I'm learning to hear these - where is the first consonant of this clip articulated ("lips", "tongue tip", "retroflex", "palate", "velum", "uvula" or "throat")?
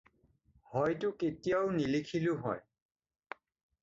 throat